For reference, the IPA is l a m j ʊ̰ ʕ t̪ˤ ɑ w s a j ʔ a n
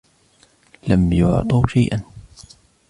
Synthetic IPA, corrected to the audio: l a m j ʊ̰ ʕ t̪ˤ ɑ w ʃ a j ʔ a n